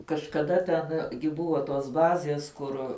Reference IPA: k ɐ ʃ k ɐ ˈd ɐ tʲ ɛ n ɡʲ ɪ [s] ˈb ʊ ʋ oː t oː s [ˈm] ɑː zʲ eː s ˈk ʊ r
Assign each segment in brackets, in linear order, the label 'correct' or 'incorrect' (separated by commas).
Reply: incorrect, incorrect